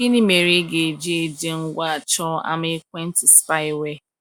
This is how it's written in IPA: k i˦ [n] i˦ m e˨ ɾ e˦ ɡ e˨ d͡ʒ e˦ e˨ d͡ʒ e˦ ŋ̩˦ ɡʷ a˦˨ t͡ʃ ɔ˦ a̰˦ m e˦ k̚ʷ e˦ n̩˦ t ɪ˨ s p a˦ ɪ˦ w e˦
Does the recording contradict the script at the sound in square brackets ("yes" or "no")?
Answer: no